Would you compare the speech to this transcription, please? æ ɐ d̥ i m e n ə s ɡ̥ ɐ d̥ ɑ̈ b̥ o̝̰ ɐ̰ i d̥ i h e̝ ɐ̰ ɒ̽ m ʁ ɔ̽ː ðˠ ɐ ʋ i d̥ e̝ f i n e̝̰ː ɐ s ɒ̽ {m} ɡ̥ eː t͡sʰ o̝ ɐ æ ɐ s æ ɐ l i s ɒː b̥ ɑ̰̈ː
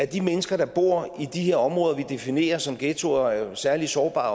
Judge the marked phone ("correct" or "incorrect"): correct